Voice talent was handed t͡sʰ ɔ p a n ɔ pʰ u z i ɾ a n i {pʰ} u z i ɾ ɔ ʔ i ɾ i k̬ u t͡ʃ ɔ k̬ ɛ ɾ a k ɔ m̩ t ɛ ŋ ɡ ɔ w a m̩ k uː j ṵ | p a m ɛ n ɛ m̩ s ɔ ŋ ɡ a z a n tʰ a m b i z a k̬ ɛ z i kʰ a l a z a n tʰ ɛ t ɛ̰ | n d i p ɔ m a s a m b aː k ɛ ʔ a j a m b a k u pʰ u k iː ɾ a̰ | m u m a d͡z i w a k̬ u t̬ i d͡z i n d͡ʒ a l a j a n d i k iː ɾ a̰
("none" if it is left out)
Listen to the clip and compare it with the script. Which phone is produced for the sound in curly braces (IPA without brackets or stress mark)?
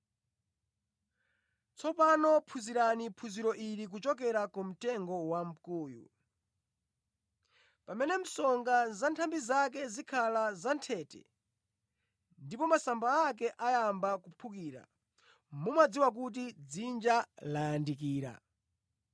pʰ